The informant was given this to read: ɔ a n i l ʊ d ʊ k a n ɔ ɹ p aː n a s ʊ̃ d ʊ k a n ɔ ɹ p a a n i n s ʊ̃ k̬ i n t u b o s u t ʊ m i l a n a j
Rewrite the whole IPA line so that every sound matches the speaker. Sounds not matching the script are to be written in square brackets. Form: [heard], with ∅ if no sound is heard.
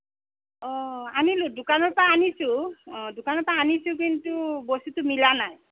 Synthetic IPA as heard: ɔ a n i l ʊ d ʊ k a n ɔ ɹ p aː n [i] s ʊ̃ d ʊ k a n ɔ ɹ p a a n i [∅] s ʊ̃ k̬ i n t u b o s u t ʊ m i l a n a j